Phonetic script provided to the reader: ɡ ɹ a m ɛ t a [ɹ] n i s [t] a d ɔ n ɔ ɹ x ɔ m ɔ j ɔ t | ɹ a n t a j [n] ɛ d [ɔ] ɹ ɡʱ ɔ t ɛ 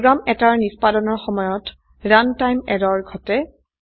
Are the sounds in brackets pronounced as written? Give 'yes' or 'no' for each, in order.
yes, no, no, yes

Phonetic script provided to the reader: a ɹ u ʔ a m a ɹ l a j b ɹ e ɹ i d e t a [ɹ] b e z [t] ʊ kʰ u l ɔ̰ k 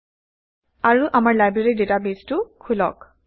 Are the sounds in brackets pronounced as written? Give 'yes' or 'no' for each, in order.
no, yes

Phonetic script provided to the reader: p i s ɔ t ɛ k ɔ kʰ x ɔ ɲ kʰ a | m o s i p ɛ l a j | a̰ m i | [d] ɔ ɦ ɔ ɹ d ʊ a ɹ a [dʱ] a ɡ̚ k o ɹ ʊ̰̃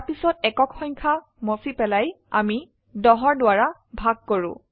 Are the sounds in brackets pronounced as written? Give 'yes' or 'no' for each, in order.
yes, no

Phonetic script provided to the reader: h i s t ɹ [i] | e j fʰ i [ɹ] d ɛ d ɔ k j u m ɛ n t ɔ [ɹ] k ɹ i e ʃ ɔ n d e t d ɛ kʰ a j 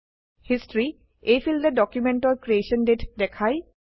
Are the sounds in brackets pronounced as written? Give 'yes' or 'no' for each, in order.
yes, no, yes

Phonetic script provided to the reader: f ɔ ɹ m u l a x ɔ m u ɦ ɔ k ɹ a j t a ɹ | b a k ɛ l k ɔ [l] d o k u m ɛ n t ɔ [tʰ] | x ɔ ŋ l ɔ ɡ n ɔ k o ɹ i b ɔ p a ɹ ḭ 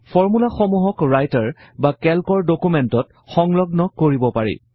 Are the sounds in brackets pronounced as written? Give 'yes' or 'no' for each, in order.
no, no

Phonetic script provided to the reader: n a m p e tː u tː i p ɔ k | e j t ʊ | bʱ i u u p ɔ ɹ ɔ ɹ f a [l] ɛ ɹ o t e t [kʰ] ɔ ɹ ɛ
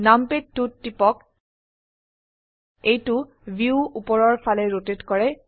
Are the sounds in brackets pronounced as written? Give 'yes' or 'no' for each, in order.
yes, no

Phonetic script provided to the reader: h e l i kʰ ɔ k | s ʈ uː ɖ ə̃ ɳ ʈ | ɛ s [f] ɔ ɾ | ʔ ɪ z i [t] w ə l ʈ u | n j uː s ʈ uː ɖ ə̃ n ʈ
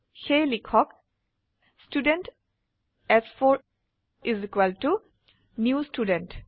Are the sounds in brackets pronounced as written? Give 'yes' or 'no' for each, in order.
yes, no

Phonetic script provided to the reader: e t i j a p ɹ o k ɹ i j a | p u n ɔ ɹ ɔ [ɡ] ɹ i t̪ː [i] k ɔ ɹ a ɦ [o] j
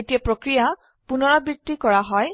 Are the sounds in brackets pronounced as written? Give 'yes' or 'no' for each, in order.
no, yes, no

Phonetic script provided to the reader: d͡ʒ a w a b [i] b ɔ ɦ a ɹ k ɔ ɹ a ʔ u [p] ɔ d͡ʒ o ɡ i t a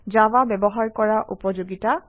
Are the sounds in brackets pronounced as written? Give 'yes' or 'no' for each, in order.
no, yes

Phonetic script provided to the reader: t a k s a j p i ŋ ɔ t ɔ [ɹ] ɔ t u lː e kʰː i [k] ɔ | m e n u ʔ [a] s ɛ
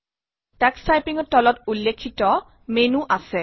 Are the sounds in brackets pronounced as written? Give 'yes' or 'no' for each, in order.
no, no, yes

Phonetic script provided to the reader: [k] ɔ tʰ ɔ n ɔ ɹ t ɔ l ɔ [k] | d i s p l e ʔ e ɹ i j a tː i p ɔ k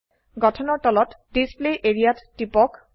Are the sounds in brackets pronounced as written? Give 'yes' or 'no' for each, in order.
no, no

